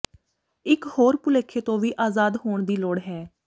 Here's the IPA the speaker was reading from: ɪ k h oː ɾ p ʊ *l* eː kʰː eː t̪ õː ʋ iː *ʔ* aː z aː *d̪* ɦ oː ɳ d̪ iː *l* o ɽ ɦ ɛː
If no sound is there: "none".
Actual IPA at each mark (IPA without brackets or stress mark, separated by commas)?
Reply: l, ʔ, d̪, l